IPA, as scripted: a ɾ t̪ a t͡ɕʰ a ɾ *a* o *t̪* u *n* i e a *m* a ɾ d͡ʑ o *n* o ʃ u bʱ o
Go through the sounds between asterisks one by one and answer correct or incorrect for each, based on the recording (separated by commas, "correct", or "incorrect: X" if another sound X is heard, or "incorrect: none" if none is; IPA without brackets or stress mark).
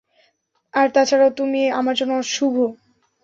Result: correct, correct, incorrect: m, correct, correct